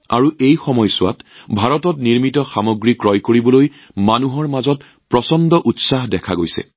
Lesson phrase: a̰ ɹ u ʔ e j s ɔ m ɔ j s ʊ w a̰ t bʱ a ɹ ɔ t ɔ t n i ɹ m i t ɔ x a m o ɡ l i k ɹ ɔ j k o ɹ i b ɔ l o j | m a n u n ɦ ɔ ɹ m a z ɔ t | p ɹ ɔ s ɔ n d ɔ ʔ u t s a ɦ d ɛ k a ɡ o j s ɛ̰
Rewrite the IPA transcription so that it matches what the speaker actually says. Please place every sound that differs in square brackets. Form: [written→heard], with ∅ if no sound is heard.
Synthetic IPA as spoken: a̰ ɹ u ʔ e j [s→x] ɔ m ɔ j s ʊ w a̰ t bʱ a ɹ ɔ t ɔ t n i ɹ m i t ɔ x a m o ɡ [l→ɹ] i k ɹ ɔ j k o ɹ i b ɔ l o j | m a n u [n→∅] ɦ ɔ ɹ m a z ɔ t | p ɹ ɔ s ɔ n d ɔ ʔ u t s a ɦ d ɛ [k→kʰ] a ɡ o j s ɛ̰

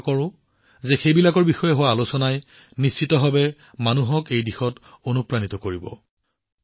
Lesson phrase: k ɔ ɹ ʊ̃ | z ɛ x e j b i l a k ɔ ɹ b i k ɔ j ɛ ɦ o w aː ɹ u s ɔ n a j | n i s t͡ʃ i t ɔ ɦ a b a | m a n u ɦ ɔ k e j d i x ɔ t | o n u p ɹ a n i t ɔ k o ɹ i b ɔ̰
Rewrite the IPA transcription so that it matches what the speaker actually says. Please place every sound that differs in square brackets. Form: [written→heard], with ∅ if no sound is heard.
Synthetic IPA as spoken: k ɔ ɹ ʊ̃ | z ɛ x e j b i l a k ɔ ɹ b i [k→x] ɔ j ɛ ɦ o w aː [ɹ→l] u s ɔ n a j | n i s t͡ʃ i t ɔ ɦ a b [a→ɛ] | m a n u ɦ ɔ k e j d i x ɔ t | o n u p ɹ a n i t ɔ k o ɹ i b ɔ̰

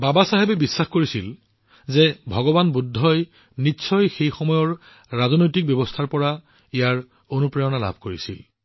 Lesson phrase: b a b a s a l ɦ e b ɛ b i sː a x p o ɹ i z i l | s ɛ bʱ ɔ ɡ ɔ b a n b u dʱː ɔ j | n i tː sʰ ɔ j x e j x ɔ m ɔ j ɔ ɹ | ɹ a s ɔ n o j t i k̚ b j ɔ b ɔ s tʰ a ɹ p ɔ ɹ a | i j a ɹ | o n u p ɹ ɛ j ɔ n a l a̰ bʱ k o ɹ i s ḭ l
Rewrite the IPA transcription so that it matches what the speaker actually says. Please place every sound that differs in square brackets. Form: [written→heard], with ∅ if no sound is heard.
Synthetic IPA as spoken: b a b a s a [l→∅] ɦ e b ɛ b i sː a x [p→k] o ɹ i [z→s] i l | [s→z] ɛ bʱ ɔ ɡ ɔ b a n b u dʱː ɔ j | n i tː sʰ ɔ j x e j x ɔ m ɔ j ɔ ɹ | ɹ a [s→z] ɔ n o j t i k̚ b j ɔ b ɔ s tʰ a ɹ p ɔ ɹ a | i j a ɹ | o n u p ɹ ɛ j ɔ n a l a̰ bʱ k o ɹ i s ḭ l

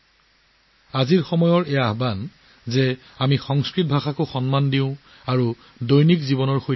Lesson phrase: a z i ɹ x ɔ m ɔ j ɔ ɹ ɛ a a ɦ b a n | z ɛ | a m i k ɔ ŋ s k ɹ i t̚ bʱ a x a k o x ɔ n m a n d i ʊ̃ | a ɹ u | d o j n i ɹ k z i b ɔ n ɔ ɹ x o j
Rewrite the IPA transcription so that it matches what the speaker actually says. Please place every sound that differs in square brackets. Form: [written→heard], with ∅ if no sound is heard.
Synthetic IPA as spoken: a z i ɹ x ɔ m ɔ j ɔ ɹ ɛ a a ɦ b a n | z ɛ | a m i [k→x] ɔ ŋ s k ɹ i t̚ bʱ a x a k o x ɔ n m a n d i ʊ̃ | a ɹ u | d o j n i [ɹ→∅] k z i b ɔ n ɔ ɹ x o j

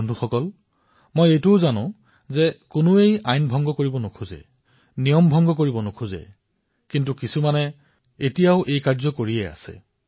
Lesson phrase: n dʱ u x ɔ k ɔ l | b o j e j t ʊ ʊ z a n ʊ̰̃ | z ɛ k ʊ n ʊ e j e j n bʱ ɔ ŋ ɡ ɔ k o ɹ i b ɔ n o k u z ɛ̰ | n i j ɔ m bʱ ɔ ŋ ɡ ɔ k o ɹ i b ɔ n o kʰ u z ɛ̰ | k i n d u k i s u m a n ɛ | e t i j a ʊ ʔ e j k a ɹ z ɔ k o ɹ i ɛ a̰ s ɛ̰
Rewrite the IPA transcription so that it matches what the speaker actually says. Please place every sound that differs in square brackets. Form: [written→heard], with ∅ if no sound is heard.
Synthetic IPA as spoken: n dʱ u x ɔ k ɔ l | [b→m] o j e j t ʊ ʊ z a n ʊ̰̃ | z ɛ k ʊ n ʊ e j [e→a] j n bʱ ɔ ŋ ɡ ɔ k o ɹ i b ɔ n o [k→kʰ] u z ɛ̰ | n i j ɔ m bʱ ɔ ŋ ɡ ɔ k o ɹ i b ɔ n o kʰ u z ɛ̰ | k i n [d→t] u k i s u m a n ɛ | e t i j a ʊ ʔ e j k a ɹ z ɔ k o ɹ i ɛ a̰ s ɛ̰

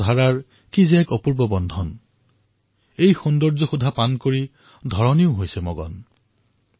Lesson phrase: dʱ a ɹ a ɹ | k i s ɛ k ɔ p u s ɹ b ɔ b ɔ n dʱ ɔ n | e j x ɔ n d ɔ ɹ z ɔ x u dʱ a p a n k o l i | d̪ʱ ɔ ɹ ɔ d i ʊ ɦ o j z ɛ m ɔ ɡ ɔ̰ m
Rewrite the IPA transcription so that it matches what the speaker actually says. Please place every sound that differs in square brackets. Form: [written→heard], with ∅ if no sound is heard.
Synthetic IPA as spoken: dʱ a ɹ a ɹ | k i [s→z] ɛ k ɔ p u [s→∅] ɹ b ɔ b ɔ n dʱ ɔ n | e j x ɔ n d ɔ ɹ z ɔ x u dʱ a p a n k o [l→ɹ] i | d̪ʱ ɔ ɹ ɔ [d→n] i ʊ ɦ o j [z→s] ɛ m ɔ ɡ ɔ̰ [m→n]

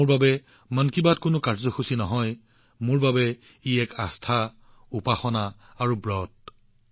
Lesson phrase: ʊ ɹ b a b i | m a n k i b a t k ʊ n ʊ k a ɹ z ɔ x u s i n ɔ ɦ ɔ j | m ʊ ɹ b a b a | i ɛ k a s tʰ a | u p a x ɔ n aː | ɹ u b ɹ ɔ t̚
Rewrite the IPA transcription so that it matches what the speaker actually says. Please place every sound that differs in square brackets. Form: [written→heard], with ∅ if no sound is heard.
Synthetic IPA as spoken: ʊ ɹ b a b [i→ɛ] | m a n k i b a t k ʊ n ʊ k a ɹ z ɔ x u s i n ɔ ɦ ɔ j | m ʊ ɹ b a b [a→ɛ] | i ɛ k a s tʰ a | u p a x ɔ n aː | ɹ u b ɹ ɔ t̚

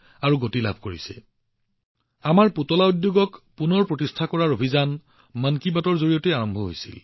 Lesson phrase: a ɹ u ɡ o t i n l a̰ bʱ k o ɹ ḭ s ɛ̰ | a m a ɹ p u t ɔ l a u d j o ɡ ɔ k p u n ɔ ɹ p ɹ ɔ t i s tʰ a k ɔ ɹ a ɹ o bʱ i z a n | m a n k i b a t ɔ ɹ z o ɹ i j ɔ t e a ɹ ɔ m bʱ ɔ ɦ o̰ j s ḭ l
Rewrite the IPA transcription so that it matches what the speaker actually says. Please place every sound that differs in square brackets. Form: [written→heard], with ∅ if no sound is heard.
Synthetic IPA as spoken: a ɹ u ɡ o t i [n→∅] l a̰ bʱ k o ɹ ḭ s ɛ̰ | a m a ɹ p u t ɔ l a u d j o ɡ ɔ k p u n ɔ ɹ p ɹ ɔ t i s tʰ a k ɔ ɹ a ɹ o bʱ i z a n | m a n k i b a t ɔ ɹ z o ɹ i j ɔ t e a ɹ ɔ m bʱ ɔ ɦ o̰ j s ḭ l

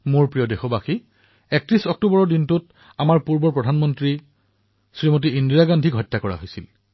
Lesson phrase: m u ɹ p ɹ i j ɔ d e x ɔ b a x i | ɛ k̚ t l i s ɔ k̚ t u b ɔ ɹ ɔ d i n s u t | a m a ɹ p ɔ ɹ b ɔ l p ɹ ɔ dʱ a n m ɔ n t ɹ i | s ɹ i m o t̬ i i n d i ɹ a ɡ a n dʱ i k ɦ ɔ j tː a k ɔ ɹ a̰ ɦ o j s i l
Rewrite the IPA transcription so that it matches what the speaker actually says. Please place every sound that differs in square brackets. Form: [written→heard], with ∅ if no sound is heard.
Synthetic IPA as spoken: m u ɹ p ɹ i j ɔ d e x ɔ b a x i | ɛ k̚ t [l→ɹ] i s ɔ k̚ t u b ɔ ɹ ɔ d i n [s→t] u t | a m a ɹ p [ɔ→u] ɹ b ɔ [l→ɹ] p ɹ ɔ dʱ a n m ɔ n t ɹ i | s ɹ i m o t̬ i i n d i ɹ a ɡ a n dʱ i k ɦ ɔ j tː a k ɔ ɹ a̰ ɦ o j s i l

